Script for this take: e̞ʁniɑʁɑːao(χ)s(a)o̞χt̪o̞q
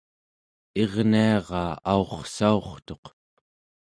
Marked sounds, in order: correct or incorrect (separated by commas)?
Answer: correct, correct